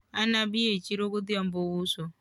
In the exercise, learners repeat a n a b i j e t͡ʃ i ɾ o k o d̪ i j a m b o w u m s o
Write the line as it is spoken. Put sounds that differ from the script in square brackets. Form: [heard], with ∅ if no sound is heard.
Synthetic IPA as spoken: a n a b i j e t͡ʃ i ɾ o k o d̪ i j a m b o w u [∅] s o